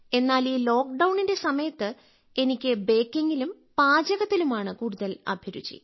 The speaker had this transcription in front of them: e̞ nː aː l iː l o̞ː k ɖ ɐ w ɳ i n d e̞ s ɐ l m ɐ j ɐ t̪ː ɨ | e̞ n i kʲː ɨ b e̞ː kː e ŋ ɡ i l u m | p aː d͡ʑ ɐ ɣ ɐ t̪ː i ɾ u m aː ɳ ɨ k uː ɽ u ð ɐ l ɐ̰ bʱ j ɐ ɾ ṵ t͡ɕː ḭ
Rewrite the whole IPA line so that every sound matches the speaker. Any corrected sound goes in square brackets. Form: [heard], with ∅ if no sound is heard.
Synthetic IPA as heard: e̞ nː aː l iː l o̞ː k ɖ ɐ w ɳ i n d e̞ s ɐ [∅] m ɐ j ɐ t̪ː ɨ | e̞ n i kʲː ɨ b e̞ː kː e ŋ ɡ i l u m | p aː d͡ʑ ɐ ɣ ɐ t̪ː i [l] u m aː ɳ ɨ k uː ɽ u ð ɐ l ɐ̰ bʱ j ɐ ɾ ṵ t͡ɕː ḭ